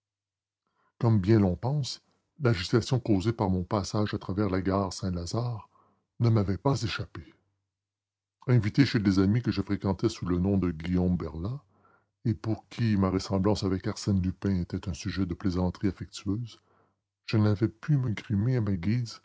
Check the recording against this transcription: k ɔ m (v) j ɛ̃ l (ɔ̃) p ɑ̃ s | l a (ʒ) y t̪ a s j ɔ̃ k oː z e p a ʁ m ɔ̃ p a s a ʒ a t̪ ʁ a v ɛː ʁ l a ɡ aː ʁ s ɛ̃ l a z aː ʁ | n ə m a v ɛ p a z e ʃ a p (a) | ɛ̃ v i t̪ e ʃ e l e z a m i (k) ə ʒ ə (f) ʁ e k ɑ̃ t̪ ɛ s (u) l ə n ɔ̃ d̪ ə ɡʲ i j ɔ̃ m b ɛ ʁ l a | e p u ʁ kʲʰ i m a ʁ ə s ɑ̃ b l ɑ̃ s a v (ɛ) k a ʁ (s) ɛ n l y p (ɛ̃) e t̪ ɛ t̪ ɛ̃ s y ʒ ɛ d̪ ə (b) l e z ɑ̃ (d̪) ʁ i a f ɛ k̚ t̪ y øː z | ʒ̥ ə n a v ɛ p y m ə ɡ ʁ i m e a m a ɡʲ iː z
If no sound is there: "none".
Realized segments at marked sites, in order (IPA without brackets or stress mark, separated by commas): b, ɔ̃, ʒ, e, k, f, u, ɛ, s, ɛ̃, p, t̪